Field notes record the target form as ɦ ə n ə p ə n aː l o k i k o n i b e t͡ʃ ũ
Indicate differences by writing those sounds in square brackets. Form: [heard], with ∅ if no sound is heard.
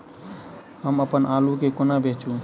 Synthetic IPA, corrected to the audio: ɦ ə [m] ə p ə n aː l [u] k [e] k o n [a] b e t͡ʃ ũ